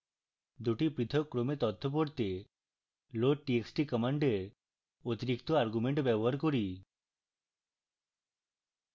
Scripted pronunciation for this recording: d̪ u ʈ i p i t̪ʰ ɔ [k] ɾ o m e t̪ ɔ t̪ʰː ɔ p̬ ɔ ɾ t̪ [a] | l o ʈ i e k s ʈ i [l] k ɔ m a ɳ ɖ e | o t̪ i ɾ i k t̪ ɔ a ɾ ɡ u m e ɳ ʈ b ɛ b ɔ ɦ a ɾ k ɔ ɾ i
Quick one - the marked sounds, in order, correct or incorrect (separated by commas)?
correct, incorrect, incorrect